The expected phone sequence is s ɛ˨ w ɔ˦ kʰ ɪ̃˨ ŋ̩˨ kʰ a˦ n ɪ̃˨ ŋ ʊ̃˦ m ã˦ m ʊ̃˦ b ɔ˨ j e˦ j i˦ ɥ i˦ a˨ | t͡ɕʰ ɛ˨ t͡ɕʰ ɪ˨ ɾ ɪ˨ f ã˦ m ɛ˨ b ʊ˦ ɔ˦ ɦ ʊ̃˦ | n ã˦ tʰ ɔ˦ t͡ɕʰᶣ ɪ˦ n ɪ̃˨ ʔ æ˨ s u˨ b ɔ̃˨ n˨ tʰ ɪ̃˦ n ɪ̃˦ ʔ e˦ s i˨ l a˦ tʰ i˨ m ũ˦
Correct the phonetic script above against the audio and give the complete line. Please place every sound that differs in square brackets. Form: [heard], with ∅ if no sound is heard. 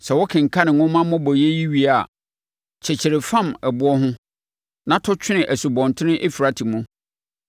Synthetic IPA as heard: s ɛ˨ w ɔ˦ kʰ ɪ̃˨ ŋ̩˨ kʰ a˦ n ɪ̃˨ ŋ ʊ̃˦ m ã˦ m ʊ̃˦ b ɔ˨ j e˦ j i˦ ɥ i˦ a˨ | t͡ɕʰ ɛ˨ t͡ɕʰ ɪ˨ ɾ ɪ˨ f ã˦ m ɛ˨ b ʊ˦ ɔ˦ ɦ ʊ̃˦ | n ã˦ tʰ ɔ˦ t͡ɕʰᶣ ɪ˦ n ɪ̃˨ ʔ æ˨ s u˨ b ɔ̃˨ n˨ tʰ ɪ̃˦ n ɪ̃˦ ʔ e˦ [f] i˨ [ɾ] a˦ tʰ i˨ m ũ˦